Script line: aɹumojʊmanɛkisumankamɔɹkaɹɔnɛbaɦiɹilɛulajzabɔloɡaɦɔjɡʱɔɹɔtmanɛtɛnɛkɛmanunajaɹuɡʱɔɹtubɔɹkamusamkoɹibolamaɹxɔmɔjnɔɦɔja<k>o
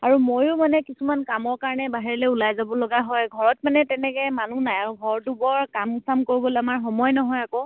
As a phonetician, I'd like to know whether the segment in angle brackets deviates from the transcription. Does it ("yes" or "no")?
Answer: no